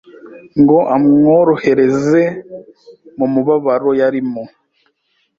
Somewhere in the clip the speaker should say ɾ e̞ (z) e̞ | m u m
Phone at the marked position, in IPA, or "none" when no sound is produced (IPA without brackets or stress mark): z